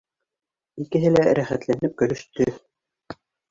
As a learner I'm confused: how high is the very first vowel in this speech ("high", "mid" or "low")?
high